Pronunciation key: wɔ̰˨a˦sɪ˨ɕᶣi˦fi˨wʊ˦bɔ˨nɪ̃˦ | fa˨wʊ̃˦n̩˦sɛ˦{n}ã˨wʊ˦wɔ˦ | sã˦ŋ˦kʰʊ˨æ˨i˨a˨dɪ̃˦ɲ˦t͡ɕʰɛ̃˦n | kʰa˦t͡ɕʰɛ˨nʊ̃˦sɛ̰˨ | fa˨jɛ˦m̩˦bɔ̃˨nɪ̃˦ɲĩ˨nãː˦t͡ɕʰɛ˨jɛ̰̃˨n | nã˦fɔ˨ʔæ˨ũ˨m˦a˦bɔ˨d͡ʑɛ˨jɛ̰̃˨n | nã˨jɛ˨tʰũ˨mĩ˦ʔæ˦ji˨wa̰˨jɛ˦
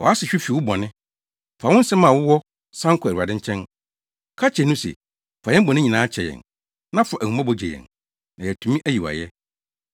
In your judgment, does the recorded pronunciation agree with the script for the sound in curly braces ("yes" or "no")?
no